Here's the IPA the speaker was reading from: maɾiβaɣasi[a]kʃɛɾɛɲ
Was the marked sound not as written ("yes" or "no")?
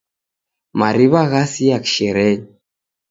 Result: no